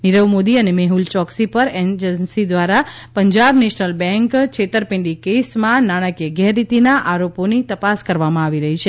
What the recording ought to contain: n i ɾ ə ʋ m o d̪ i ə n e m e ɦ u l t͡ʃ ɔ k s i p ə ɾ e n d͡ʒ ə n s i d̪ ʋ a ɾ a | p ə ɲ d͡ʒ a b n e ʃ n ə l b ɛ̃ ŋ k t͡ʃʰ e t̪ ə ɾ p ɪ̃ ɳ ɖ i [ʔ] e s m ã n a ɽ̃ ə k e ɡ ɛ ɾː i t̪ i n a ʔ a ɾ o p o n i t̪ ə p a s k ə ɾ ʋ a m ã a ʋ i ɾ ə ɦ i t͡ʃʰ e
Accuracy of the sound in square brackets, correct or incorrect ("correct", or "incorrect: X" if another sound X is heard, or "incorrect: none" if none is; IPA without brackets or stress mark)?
incorrect: k